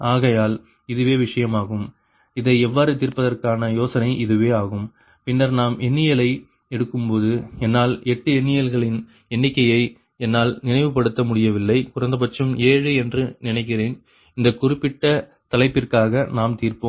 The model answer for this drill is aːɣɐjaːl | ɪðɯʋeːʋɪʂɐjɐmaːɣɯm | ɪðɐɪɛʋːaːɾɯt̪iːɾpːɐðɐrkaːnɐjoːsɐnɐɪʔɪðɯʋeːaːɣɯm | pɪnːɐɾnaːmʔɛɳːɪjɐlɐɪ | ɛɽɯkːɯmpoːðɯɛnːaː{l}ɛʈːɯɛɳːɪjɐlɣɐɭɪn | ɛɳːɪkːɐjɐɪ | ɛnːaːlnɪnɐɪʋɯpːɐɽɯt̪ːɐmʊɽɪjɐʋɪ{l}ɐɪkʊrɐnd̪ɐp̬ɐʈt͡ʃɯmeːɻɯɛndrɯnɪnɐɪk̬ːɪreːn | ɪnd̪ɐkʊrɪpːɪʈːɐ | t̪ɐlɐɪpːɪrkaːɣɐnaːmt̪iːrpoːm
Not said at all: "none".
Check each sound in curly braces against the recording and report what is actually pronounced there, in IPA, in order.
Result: l, lː

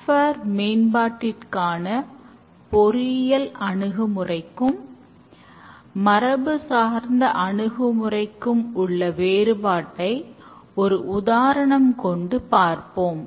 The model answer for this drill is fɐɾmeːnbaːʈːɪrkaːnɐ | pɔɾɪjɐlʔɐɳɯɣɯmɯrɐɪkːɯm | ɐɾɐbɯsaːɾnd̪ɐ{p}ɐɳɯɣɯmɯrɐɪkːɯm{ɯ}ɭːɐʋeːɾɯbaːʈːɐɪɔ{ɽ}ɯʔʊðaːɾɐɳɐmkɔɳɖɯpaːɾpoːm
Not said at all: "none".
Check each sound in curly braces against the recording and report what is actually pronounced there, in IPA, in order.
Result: ʔ, ʊ, ɾ

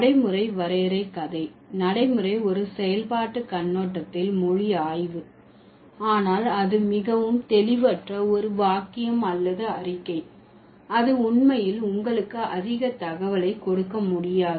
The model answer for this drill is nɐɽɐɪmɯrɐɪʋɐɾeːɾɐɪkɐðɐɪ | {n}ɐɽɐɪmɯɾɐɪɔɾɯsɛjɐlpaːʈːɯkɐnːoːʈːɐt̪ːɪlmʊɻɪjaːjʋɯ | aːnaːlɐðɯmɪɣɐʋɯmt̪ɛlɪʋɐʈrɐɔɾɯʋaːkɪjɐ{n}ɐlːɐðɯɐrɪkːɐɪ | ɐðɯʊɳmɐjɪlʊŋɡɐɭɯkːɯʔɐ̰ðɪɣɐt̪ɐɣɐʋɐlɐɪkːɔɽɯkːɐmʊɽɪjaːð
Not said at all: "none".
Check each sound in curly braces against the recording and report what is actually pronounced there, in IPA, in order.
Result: n, m

